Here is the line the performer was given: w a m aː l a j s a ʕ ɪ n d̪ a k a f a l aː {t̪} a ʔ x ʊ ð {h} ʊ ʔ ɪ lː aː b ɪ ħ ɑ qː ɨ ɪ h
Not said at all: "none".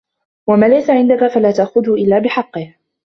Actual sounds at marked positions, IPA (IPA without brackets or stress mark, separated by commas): t̪, h